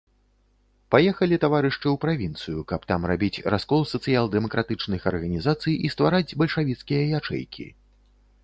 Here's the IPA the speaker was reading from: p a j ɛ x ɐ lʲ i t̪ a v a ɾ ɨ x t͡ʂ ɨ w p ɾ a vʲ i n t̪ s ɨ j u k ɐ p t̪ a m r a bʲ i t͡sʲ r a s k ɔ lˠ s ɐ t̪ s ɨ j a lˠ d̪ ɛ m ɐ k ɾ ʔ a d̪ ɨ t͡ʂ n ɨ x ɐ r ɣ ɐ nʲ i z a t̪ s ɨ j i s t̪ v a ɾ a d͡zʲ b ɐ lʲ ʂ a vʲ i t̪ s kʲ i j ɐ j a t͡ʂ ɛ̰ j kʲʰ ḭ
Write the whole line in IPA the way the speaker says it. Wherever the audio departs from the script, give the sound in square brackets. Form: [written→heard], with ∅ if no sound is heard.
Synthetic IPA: p a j ɛ x ɐ lʲ i t̪ a v a ɾ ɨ [x→ʂ] t͡ʂ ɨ w p ɾ a vʲ i n t̪ s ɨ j u k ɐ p t̪ a m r a bʲ i t͡sʲ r a s k ɔ lˠ s ɐ t̪ s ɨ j a lˠ d̪ ɛ m ɐ k ɾ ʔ a [d̪→t̪] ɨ t͡ʂ n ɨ x ɐ r ɣ ɐ nʲ i z a t̪ s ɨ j i s t̪ v a ɾ a d͡zʲ b ɐ lʲ ʂ a vʲ i t̪ s kʲ i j ɐ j a t͡ʂ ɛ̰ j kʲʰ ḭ